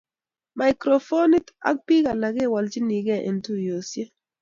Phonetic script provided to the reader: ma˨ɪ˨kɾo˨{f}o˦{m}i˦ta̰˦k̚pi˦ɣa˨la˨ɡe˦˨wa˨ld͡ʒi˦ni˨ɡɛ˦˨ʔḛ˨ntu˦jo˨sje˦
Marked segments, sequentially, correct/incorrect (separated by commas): correct, incorrect